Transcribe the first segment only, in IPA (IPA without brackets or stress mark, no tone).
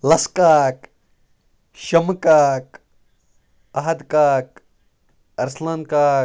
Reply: l